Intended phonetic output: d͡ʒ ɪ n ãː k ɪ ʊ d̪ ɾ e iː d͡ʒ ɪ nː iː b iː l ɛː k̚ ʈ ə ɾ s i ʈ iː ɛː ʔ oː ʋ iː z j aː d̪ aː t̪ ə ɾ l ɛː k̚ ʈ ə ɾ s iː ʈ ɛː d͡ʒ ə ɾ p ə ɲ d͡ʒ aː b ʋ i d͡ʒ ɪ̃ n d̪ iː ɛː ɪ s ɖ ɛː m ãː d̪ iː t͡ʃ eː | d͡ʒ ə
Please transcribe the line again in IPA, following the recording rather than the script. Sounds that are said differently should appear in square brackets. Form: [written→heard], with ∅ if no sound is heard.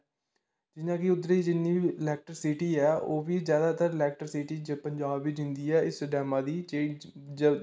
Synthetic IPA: d͡ʒ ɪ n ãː k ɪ ʊ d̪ ɾ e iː d͡ʒ ɪ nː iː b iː l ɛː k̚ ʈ ə ɾ s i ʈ iː ɛː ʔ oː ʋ iː z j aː d̪ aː t̪ ə ɾ l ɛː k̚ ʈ ə ɾ s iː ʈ [ɛː→iː] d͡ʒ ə [ɾ→∅] p ə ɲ d͡ʒ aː b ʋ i d͡ʒ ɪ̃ n d̪ iː ɛː ɪ s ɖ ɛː m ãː d̪ iː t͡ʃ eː | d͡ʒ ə